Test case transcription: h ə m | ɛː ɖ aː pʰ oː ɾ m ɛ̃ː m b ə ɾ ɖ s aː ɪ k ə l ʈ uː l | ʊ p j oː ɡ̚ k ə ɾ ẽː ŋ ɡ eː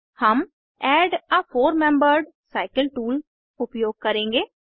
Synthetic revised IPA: h ə m | ɛː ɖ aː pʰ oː ɾ m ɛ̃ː m b ə ɾ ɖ s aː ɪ k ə l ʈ uː l | ʊ p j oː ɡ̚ k ə ɾ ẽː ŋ ɡ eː